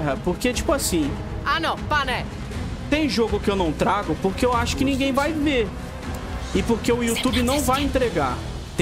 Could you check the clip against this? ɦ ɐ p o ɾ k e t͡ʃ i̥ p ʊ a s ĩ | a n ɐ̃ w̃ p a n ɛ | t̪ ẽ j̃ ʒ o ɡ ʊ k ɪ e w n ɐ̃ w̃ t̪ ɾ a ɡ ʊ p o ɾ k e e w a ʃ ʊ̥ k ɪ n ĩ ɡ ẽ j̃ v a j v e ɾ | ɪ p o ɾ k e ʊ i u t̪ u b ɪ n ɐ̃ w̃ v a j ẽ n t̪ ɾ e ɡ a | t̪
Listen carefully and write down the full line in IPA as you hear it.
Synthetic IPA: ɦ ɐ p o ɾ k e t͡ʃ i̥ p ʊ a s ĩ | a n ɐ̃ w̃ p a n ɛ | t̪ ẽ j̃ ʒ o ɡ ʊ k ɪ e w n ɐ̃ w̃ t̪ ɾ a ɡ ʊ p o ɾ k e e w a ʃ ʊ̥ k ɪ n ĩ ɡ ẽ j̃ v a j v e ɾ | ɪ p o ɾ k e ʊ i u t̪ u b ɪ n ɐ̃ w̃ v a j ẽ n t̪ ɾ e ɡ a | t̪